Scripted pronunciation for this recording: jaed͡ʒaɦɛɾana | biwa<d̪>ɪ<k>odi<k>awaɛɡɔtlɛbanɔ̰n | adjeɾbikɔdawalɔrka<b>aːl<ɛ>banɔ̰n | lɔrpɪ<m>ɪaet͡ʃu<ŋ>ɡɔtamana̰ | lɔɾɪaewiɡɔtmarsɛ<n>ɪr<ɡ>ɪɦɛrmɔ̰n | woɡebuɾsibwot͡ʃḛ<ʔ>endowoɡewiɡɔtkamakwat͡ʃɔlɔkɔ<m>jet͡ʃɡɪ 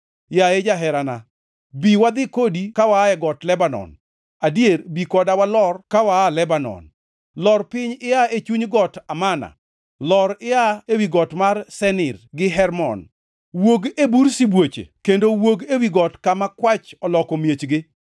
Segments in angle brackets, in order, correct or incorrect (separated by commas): correct, correct, correct, incorrect, correct, incorrect, incorrect, correct, correct, incorrect, correct